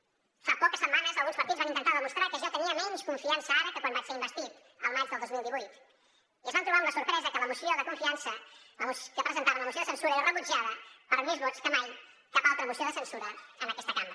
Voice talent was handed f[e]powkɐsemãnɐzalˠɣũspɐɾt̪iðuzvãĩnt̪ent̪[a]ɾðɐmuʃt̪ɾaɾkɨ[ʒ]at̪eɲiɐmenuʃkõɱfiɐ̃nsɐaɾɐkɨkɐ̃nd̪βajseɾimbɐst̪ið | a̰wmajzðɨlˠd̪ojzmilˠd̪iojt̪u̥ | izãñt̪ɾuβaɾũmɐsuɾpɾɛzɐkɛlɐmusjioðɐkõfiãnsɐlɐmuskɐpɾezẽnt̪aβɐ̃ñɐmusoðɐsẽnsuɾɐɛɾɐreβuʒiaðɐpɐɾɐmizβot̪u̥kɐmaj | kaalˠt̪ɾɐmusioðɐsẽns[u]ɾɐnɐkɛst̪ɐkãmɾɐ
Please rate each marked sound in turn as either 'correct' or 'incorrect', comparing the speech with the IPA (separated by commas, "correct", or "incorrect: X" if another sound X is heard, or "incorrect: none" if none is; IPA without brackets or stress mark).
incorrect: a, correct, correct, correct